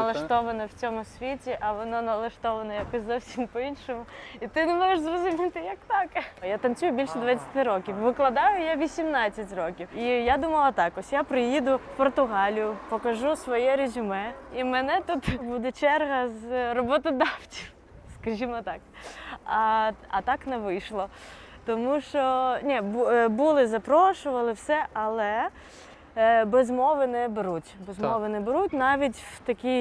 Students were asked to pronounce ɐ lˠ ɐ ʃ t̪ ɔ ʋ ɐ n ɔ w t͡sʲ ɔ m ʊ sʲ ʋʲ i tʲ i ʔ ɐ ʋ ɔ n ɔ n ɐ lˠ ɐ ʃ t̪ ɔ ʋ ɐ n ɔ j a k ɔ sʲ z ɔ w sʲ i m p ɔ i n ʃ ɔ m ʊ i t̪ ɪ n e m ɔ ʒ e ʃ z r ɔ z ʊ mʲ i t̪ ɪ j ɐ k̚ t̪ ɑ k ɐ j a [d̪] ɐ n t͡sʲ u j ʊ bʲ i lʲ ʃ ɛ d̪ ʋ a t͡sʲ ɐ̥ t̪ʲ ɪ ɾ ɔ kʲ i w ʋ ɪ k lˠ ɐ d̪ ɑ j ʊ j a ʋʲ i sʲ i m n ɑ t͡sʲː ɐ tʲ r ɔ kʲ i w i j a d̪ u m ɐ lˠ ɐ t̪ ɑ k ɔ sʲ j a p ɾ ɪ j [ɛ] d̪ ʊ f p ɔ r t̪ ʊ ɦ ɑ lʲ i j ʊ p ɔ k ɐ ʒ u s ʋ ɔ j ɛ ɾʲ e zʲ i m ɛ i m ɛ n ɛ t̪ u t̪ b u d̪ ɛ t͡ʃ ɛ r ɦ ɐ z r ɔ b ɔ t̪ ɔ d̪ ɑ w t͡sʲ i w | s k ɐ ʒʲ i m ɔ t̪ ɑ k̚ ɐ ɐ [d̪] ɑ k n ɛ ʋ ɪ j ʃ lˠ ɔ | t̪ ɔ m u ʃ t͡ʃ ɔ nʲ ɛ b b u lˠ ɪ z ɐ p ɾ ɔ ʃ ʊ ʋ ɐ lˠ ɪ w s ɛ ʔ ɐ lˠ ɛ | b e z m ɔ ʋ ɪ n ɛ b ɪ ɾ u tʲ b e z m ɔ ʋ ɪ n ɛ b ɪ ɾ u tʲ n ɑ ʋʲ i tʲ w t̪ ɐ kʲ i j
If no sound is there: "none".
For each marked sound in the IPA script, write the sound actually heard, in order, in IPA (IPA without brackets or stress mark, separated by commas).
t̪, i, t̪